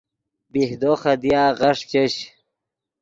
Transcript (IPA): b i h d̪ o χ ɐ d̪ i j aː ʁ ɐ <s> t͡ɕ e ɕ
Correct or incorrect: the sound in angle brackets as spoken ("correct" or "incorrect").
incorrect